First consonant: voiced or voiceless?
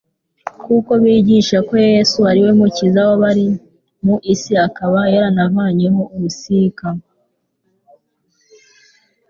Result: voiceless